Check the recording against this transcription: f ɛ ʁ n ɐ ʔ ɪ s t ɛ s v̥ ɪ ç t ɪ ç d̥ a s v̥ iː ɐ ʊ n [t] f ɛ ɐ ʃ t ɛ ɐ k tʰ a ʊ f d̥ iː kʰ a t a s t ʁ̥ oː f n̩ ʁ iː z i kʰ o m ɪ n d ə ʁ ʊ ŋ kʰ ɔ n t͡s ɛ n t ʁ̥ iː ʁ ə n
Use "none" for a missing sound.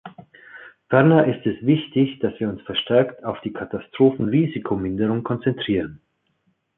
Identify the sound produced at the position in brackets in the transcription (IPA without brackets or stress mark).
s